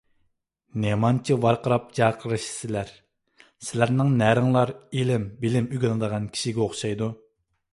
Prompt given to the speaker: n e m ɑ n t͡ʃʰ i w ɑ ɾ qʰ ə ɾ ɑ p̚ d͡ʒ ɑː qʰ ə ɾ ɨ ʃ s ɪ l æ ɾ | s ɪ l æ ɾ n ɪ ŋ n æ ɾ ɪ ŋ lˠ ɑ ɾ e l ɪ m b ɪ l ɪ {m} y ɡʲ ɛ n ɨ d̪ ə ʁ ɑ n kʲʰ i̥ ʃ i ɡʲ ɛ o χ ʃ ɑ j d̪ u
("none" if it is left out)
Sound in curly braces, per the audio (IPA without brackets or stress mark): m